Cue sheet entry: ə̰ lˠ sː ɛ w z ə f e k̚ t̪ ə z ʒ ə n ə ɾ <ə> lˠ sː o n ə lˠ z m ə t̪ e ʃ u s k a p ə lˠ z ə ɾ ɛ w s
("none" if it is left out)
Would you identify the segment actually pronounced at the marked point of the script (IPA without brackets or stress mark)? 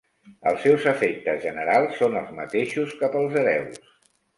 a